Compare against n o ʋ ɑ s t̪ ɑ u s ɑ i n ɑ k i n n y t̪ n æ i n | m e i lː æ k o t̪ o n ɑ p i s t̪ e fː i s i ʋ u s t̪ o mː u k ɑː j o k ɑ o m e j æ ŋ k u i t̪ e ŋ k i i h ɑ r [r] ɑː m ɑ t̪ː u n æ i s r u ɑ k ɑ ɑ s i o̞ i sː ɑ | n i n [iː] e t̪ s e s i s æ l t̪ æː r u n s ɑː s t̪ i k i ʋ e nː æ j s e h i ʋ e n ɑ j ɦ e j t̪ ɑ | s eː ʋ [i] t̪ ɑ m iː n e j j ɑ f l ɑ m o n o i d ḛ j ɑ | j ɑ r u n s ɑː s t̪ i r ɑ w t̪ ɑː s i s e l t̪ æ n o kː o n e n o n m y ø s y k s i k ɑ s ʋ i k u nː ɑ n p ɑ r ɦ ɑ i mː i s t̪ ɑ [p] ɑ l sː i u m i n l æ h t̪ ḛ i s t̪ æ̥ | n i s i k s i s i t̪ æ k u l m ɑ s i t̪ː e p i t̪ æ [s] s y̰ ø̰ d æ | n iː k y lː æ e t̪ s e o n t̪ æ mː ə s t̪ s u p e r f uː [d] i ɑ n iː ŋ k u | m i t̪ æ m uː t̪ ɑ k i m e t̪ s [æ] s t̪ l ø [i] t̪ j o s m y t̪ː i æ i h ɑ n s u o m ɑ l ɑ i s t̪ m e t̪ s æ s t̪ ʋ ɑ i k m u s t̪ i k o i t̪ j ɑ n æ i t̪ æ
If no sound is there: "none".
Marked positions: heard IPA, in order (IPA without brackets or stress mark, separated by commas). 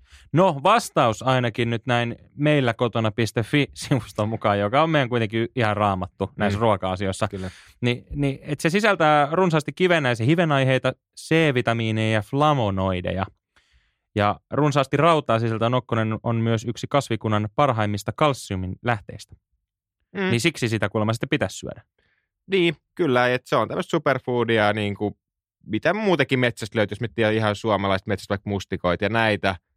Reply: r, i, i, k, s, d, æ, y